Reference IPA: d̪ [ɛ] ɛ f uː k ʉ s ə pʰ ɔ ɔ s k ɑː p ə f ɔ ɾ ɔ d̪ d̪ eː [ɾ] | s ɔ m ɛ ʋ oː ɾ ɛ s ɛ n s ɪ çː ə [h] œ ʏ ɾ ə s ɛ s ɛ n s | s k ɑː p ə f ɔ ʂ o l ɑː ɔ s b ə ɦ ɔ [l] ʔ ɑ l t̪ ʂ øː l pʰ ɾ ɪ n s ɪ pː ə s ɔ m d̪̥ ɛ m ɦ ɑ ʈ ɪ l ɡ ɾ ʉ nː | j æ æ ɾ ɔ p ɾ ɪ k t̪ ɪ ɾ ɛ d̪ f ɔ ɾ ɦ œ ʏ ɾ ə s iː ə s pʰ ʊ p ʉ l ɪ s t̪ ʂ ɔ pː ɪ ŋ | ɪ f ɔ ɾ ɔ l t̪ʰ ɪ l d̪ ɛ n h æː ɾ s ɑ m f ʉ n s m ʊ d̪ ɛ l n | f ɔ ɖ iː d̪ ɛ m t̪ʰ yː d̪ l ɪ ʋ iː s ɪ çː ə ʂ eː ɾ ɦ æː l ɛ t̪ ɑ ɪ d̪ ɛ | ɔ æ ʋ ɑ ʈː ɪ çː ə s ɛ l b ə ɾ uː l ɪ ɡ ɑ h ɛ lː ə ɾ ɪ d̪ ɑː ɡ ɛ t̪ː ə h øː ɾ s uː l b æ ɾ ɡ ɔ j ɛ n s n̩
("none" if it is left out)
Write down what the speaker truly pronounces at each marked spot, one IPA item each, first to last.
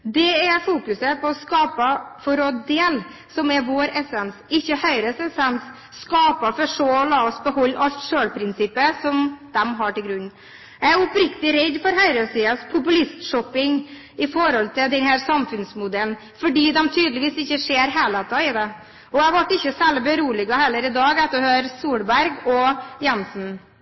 ɛ, l, h, lː

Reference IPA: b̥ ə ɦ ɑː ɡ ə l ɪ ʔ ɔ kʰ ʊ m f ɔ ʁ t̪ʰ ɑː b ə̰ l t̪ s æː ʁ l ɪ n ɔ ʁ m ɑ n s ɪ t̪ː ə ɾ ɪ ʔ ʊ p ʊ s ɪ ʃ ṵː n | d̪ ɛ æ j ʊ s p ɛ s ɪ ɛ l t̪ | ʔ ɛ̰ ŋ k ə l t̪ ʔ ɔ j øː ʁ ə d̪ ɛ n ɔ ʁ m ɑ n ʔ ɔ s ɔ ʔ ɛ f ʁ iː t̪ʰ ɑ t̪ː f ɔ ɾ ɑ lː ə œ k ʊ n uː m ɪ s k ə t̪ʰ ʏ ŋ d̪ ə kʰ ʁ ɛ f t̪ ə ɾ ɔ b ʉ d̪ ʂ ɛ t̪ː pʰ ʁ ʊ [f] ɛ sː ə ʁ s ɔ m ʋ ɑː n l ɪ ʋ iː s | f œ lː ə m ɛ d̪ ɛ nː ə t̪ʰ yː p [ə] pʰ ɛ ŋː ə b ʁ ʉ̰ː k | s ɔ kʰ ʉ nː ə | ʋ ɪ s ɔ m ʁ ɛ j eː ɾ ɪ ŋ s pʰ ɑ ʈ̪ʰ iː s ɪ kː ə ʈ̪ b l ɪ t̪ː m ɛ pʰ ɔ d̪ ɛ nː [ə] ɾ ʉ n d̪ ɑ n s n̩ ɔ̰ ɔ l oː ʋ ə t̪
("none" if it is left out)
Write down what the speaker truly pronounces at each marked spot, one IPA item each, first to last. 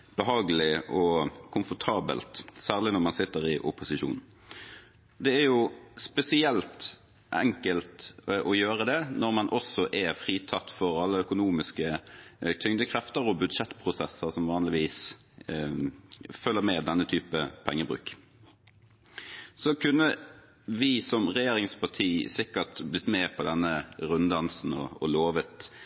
s, ə, ə

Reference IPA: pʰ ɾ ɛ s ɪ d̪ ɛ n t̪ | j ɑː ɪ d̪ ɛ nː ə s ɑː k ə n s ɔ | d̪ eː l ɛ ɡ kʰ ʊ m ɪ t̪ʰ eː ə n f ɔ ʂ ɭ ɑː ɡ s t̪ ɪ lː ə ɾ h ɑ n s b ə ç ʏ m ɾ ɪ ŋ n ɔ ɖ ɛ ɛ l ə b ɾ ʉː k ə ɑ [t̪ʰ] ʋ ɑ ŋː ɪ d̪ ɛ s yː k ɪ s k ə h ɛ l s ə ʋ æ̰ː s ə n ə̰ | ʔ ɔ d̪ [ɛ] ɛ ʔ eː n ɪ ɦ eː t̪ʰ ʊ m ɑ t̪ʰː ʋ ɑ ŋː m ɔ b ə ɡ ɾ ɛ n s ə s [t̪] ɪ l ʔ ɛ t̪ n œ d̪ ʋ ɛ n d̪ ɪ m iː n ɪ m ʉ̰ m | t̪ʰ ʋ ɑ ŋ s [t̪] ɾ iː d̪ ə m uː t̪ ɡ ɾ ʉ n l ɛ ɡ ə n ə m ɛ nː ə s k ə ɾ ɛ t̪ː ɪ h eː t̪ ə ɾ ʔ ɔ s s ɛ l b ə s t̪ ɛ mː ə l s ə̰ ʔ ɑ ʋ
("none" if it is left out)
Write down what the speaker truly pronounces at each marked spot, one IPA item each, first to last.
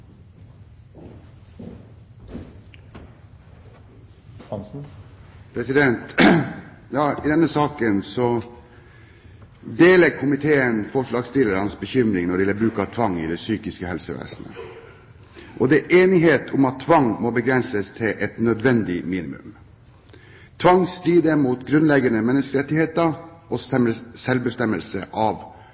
t̪ʰ, ɛ, t̪ʰ, t̪

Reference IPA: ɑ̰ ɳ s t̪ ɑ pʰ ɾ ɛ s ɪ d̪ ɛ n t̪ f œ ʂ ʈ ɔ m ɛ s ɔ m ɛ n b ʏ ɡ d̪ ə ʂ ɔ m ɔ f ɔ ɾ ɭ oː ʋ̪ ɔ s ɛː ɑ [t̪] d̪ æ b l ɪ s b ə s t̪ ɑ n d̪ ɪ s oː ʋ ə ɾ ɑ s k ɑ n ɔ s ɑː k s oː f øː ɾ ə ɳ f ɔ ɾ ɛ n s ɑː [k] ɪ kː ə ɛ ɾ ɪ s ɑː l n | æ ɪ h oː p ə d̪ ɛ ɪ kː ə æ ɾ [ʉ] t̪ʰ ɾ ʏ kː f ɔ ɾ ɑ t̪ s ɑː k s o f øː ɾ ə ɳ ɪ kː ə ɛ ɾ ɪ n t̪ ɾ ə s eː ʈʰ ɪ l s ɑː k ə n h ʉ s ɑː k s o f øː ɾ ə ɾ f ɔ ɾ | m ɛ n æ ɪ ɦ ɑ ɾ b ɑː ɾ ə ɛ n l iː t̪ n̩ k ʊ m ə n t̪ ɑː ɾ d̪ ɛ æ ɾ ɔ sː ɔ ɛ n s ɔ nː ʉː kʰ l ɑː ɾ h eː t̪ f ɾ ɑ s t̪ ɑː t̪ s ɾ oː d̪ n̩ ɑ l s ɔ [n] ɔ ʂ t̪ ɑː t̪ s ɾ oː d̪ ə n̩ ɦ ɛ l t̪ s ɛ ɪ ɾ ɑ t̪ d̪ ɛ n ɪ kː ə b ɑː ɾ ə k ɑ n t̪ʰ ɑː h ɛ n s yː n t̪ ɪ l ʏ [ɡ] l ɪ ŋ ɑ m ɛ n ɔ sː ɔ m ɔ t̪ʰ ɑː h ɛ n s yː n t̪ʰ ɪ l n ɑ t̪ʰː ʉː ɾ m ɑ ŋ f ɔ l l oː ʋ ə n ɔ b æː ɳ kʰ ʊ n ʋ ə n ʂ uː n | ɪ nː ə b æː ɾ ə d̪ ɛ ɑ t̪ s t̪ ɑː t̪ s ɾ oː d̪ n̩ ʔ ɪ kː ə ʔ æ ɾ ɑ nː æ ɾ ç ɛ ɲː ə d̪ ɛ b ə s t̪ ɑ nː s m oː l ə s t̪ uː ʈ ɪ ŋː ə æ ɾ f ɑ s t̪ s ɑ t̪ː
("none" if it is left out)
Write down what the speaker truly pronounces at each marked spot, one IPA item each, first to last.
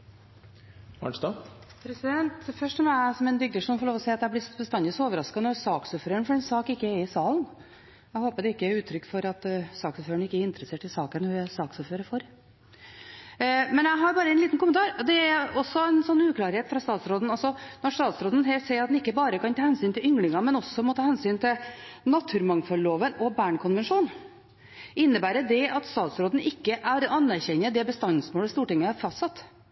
t̪, k, ʉː, n, ŋ

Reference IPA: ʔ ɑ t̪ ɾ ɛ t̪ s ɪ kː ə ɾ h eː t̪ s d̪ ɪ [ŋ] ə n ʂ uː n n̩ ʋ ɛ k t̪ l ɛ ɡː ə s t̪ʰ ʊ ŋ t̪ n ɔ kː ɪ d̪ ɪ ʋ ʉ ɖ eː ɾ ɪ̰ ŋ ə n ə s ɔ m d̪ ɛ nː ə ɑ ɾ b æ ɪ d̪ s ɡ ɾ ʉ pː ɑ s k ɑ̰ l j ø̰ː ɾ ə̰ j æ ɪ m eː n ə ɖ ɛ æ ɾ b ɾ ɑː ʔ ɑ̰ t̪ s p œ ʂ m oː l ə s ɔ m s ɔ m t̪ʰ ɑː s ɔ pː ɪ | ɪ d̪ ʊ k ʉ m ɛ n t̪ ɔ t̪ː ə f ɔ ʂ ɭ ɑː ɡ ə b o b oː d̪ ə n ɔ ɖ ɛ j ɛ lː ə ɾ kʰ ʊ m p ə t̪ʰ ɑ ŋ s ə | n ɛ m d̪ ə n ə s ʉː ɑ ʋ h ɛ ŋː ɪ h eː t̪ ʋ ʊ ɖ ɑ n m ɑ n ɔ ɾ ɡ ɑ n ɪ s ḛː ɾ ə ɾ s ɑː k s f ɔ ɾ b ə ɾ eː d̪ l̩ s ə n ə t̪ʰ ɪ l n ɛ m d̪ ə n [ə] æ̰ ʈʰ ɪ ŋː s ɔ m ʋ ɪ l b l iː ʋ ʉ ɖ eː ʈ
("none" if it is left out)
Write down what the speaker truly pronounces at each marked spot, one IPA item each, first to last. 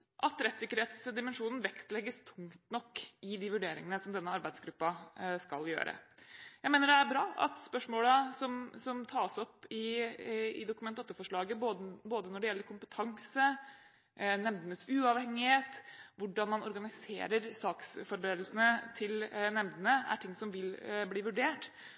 m, ə

